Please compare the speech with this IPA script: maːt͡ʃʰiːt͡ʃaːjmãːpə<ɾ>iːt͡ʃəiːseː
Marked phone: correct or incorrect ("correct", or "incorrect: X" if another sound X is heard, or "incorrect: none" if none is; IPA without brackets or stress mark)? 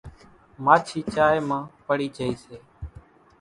incorrect: ɽ